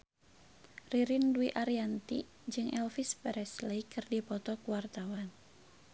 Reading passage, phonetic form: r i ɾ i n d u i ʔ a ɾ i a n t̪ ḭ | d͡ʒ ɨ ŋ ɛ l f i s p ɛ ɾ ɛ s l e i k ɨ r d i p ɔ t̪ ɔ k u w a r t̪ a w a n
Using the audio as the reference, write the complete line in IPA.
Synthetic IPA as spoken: r i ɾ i n d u i ʔ a ɾ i a n t̪ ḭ | d͡ʒ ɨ ŋ ɛ l f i s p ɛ ɾ ɛ s l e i k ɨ r d i p ɔ t̪ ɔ k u w a r t̪ a w a n